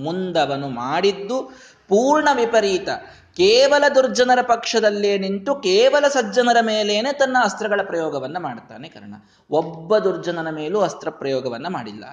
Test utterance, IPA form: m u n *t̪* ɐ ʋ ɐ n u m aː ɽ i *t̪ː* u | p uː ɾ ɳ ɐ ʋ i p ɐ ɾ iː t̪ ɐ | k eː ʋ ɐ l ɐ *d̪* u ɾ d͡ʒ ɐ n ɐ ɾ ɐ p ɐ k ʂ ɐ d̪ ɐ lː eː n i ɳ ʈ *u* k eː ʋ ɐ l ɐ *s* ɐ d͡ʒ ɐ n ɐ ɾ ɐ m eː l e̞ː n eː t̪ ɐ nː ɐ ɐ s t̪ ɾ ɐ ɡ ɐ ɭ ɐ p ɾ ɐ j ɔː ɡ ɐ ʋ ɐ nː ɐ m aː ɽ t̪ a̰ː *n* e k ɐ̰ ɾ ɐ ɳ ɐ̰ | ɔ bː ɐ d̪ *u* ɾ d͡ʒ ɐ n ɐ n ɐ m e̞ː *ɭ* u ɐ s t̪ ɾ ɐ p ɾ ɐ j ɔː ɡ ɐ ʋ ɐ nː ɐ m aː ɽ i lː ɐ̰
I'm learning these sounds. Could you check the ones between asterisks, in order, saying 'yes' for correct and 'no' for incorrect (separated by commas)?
no, no, yes, yes, yes, yes, yes, no